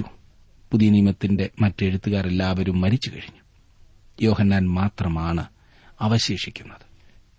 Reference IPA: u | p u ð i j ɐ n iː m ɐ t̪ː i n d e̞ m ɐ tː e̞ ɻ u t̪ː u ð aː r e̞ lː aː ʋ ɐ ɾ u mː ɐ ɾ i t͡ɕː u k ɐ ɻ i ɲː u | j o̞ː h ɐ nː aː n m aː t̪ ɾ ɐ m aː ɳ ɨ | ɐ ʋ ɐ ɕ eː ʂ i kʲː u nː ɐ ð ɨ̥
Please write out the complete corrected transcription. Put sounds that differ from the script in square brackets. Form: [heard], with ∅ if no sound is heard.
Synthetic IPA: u | p u ð i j ɐ n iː m ɐ t̪ː i n d e̞ m ɐ tː e̞ ɻ u t̪ː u [ɣ] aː r e̞ lː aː ʋ ɐ ɾ u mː ɐ ɾ i t͡ɕː u k ɐ ɻ i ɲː u | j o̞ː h ɐ nː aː n m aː t̪ [r] ɐ m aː ɳ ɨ | ɐ ʋ ɐ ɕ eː ʂ i kʲː u nː ɐ ð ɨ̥